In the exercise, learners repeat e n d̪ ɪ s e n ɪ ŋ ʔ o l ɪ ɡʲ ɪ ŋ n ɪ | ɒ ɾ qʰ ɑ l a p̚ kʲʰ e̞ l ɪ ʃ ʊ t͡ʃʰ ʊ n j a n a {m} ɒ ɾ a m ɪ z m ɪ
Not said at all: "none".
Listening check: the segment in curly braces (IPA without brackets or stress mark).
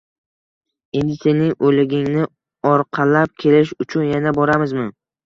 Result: b